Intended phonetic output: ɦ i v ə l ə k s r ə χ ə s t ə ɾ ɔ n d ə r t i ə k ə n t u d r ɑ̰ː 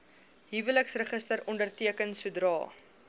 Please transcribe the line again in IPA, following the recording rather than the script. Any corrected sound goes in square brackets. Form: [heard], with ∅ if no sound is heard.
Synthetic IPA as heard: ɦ i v ə l ə k s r ə χ ə s t ə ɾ ɔ n d ə r t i ə k ə n [s] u d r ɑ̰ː